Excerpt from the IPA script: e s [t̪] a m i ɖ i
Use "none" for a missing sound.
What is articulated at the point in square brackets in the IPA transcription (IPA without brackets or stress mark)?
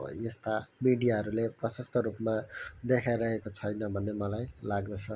t̪